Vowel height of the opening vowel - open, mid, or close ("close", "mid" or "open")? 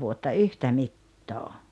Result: close